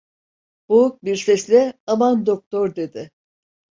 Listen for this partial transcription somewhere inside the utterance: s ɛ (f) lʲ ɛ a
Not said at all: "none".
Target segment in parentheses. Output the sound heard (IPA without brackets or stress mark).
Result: s